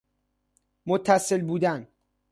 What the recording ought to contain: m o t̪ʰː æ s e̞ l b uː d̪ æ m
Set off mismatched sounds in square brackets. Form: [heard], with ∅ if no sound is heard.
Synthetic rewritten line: m o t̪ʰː æ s e̞ l b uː d̪ æ [n]